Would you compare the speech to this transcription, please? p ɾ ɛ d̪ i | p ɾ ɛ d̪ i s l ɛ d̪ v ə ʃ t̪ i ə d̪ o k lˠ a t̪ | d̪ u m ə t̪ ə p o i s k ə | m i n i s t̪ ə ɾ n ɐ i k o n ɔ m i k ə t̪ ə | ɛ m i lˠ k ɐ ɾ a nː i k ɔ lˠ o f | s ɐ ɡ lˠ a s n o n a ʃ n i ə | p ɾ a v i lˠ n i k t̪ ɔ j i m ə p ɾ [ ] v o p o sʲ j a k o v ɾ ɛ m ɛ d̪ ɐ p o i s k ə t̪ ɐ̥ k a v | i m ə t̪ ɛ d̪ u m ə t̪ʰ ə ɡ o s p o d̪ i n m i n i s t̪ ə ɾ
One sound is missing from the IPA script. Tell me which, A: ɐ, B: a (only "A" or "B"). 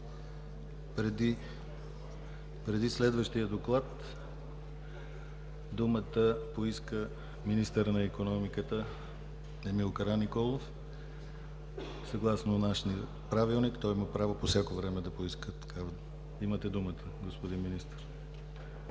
B